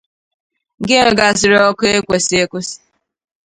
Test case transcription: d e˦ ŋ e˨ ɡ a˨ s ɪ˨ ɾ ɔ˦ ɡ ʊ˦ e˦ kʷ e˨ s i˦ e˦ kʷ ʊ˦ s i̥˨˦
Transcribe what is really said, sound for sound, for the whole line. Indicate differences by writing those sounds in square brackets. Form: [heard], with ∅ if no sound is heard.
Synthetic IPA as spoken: [ɡ] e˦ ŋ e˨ ɡ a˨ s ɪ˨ ɾ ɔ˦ [k] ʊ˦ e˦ kʷ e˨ s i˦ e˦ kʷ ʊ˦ s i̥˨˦